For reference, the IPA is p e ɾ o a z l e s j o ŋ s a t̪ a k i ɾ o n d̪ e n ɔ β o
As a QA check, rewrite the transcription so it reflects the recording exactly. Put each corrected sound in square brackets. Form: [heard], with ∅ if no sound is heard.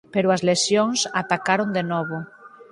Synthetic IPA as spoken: p e ɾ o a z l e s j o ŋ s a t̪ a k [a] ɾ o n d̪ e n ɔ β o

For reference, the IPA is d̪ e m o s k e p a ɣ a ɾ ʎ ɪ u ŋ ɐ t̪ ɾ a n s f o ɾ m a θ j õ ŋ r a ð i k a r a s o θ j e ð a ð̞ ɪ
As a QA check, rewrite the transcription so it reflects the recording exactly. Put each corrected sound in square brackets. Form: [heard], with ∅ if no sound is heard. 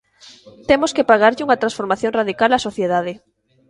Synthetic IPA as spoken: [t̪] e m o s k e p a ɣ a ɾ ʎ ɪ u ŋ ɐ t̪ ɾ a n s f o ɾ m a θ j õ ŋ r a ð i k a [l] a s o θ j e ð a ð̞ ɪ

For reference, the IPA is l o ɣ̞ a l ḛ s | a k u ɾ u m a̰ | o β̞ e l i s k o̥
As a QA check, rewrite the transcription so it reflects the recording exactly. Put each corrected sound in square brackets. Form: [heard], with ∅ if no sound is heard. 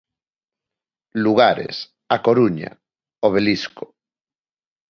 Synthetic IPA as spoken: l [u] ɣ̞ a [ɾ] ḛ s | a k [o] ɾ u [ɲ] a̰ | o β̞ e l i s k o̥

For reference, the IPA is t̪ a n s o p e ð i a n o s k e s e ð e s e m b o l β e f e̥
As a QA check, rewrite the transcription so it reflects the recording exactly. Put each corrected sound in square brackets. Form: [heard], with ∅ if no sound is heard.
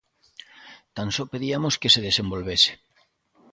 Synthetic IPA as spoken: t̪ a n s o p e ð i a [m] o s k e s e ð e s e m b o l β e [s] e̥

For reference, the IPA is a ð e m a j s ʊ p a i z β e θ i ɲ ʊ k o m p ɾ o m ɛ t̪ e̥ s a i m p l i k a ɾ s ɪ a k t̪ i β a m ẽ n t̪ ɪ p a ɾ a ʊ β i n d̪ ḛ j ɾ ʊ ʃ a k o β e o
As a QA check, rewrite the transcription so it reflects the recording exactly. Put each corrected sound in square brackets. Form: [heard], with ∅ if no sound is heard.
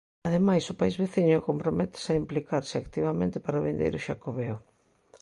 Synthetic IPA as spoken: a ð e m a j s ʊ p a i z β e θ i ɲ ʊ k o m p ɾ o m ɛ t̪ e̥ s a i m p l i k a ɾ s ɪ a k t̪ i β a m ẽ n t̪ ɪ p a ɾ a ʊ β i n d̪ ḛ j ɾ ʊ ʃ a k o β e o

